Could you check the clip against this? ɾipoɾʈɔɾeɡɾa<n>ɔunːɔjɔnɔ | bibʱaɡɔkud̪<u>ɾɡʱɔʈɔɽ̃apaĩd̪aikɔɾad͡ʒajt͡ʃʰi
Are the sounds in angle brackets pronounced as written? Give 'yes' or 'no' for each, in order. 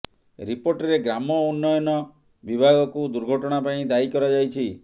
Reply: no, yes

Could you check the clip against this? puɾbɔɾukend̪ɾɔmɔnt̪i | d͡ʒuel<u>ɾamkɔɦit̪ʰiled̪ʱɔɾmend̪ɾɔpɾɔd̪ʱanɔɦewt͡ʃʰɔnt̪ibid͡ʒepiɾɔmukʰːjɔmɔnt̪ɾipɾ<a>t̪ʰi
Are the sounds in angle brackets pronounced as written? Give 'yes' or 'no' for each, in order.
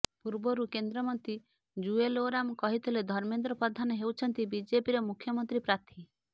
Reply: no, yes

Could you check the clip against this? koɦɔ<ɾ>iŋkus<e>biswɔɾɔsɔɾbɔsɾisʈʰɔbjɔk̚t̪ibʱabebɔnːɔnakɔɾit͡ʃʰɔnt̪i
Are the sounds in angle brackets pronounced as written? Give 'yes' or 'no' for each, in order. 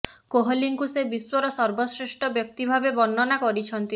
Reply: no, yes

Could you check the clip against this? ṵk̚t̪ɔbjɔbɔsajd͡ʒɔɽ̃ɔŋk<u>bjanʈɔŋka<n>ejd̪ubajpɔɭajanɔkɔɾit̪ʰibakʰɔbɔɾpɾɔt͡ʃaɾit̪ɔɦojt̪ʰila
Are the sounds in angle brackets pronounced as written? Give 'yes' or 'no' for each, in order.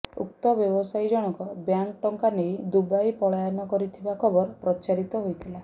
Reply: no, yes

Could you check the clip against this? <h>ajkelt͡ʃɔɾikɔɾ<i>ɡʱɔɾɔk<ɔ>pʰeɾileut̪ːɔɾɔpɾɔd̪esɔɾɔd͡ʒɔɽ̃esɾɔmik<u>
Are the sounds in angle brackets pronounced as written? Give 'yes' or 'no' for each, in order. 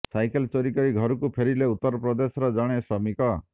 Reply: no, yes, no, no

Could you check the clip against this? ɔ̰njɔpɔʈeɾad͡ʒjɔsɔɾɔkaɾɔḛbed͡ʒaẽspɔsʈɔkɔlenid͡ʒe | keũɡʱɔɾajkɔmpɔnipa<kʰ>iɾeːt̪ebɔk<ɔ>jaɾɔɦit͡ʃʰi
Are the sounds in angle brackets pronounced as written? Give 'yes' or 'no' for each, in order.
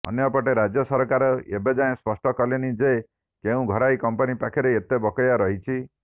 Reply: yes, yes

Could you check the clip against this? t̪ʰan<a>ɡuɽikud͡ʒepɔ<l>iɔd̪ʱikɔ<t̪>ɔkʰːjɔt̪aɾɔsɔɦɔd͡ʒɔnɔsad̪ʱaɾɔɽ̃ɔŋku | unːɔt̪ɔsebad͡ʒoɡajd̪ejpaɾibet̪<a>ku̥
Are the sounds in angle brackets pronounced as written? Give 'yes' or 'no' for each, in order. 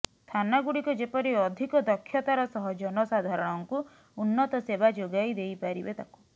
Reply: yes, no, no, yes

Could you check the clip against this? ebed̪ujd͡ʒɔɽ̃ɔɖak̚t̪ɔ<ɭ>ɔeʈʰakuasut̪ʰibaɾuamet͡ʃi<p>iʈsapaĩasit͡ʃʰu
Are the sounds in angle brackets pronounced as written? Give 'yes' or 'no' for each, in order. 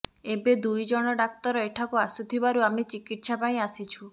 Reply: no, no

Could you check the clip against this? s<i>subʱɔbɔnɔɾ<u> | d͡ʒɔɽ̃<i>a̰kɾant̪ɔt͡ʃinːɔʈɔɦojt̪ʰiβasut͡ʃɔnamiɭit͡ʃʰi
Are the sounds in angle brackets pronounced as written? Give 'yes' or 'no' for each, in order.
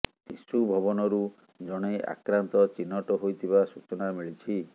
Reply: yes, yes, no

